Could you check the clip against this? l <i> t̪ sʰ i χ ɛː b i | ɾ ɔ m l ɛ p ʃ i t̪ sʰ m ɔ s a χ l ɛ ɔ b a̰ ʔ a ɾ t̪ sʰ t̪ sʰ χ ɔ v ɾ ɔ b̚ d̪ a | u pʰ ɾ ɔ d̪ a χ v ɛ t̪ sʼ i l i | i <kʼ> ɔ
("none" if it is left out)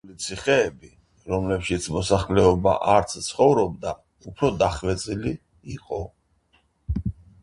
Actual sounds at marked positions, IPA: i, qʼ

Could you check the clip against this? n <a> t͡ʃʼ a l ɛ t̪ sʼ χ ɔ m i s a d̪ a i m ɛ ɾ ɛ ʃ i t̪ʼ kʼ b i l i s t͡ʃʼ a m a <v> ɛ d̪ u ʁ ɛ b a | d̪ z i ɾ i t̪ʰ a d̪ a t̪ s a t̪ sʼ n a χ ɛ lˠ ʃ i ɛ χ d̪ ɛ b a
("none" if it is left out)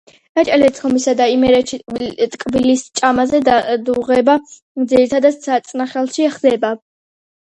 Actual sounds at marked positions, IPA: a, z

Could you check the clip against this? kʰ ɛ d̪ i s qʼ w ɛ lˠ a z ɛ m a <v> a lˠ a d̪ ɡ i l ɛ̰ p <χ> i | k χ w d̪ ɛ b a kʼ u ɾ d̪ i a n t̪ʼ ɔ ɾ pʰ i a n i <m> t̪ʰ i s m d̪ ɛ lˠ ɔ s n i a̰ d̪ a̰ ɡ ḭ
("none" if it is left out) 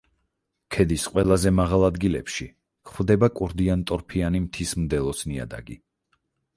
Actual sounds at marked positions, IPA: ʁ, ʃ, m

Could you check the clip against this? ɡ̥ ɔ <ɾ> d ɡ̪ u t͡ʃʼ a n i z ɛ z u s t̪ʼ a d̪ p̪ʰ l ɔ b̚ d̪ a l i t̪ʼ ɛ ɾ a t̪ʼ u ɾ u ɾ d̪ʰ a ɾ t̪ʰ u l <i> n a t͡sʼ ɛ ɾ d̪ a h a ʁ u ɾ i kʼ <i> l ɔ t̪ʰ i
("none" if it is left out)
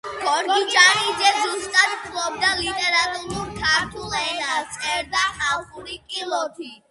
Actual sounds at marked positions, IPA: ɾ, ɛ, i

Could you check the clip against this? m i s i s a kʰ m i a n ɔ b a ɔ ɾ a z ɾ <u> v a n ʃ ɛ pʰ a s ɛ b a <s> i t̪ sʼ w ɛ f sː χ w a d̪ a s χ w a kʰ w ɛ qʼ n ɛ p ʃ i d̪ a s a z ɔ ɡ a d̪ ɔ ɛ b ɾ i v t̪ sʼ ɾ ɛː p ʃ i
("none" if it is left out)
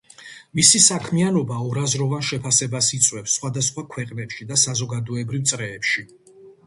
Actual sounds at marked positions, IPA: ɔ, s

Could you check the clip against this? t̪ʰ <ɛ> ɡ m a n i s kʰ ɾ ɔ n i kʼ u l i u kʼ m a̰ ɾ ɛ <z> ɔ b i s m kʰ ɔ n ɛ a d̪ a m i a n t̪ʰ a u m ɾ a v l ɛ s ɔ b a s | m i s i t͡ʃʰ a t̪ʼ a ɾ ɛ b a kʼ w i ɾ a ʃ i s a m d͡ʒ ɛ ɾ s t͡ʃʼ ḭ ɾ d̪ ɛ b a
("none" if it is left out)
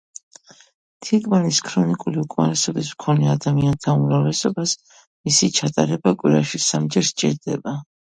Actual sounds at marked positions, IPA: i, s

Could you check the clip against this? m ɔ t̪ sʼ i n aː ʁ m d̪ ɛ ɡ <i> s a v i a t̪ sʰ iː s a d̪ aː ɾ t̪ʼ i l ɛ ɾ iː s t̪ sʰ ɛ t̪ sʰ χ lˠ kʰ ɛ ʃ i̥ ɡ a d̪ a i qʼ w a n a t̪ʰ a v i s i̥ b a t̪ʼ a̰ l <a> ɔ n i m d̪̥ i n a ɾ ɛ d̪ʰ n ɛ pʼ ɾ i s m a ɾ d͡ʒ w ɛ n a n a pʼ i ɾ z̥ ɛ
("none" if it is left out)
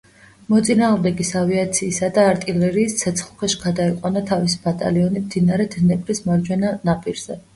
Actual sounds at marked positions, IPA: i, i

